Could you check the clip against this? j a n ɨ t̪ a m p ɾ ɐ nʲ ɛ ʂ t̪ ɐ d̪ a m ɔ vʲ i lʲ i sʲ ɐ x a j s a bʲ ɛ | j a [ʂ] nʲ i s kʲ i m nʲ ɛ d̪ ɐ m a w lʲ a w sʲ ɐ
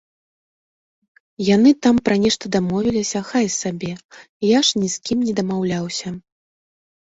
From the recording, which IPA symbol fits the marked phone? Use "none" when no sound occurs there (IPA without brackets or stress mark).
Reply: ʂ